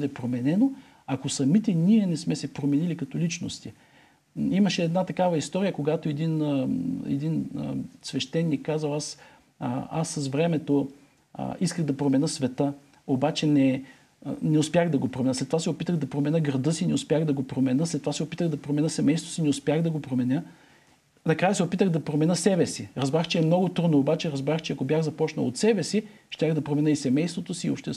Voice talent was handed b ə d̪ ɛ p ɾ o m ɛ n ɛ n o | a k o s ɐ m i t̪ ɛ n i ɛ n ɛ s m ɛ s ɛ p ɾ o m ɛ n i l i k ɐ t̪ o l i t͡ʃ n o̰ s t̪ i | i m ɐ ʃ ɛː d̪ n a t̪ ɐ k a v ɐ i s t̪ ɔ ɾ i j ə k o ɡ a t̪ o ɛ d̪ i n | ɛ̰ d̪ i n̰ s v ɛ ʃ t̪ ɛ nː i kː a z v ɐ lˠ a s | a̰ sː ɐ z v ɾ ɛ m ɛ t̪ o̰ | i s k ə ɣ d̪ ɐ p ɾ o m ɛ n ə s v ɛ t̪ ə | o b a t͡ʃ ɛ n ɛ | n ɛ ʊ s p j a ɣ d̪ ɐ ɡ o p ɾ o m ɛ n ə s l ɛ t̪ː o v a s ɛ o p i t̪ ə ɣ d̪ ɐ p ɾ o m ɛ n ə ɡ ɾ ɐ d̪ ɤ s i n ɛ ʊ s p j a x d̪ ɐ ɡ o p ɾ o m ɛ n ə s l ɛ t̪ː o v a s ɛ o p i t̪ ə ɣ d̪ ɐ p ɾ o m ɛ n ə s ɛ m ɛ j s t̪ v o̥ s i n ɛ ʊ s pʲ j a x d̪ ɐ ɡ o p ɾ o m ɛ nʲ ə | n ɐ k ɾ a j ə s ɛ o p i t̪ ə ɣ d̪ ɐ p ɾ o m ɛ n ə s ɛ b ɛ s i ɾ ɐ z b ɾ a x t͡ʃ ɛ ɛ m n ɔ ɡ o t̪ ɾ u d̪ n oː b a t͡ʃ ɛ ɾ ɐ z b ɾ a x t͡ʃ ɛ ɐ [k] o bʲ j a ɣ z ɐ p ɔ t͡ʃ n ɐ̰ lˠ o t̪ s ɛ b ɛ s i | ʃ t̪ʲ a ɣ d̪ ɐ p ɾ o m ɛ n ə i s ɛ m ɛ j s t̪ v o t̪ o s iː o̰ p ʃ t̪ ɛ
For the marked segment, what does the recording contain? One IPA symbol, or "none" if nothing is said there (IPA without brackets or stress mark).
k